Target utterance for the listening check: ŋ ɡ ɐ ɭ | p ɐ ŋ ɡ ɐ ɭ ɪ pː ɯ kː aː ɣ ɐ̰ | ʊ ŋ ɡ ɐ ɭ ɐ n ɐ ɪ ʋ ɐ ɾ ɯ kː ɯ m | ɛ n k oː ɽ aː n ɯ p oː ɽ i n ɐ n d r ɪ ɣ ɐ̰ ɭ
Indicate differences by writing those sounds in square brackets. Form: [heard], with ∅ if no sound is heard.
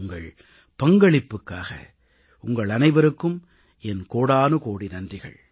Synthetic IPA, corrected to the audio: ŋ ɡ ɐ ɭ | p ɐ ŋ ɡ ɐ ɭ ɪ pː ɯ kː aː ɣ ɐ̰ | ʊ ŋ ɡ ɐ ɭ ɐ n ɐ ɪ ʋ ɐ ɾ ɯ kː ɯ m | ɛ n k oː ɽ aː n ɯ [k] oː ɽ i n ɐ n d r ɪ ɣ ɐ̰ ɭ